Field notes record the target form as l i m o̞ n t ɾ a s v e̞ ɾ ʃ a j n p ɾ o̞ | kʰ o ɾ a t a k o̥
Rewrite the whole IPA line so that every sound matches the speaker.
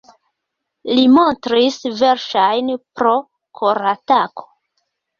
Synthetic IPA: l i m o̞ n t ɾ i s v e̞ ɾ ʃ a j n p ɾ o̞ | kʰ o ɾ a t a k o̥